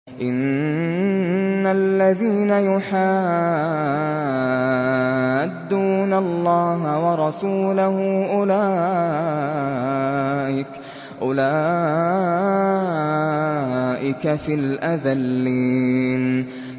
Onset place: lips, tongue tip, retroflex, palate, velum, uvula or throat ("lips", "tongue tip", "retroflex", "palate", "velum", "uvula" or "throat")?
throat